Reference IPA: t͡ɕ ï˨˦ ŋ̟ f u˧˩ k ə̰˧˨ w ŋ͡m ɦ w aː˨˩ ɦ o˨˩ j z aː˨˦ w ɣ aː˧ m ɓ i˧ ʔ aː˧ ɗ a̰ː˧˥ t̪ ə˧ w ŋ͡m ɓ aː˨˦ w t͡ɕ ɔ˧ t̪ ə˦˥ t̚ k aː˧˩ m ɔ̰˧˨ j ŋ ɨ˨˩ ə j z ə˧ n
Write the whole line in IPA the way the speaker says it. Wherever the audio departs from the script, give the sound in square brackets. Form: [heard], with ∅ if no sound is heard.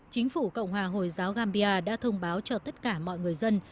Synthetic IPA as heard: t͡ɕ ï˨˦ ŋ̟ f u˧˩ k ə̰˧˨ w ŋ͡m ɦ w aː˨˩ ɦ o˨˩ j z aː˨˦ w ɣ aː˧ m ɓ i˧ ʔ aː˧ ɗ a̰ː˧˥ [t̪ʰ] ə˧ w ŋ͡m ɓ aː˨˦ w t͡ɕ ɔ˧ t̪ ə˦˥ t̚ k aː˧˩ m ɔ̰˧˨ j ŋ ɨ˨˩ ə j z ə˧ n